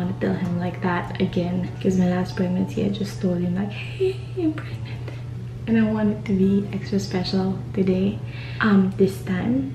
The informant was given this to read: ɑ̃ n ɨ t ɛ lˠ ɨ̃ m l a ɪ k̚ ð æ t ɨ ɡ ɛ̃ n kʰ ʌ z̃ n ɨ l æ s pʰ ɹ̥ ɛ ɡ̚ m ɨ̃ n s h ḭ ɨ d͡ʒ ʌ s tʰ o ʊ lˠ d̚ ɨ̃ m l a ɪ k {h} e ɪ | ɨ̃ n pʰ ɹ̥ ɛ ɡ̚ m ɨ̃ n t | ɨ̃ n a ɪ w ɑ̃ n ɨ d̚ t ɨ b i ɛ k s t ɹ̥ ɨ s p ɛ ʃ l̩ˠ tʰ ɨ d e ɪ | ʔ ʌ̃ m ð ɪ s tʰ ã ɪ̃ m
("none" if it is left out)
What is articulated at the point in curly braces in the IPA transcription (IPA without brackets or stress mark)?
h